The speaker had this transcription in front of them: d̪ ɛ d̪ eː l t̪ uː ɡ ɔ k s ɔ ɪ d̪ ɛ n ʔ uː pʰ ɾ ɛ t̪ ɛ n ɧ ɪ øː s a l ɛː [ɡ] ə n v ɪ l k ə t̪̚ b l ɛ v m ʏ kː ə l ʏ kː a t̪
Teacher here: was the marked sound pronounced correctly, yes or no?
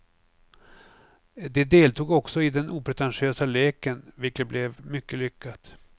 no